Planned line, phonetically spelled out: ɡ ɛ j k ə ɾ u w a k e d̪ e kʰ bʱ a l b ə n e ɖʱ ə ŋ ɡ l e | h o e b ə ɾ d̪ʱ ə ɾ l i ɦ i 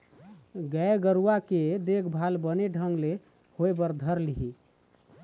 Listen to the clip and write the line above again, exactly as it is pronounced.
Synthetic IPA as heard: ɡ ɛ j ɡ ə ɾ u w a k e d̪ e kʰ bʱ a l b ə n e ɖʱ ə ŋ ɡ l e | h o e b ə ɾ d̪ʱ ə ɾ l i ɦ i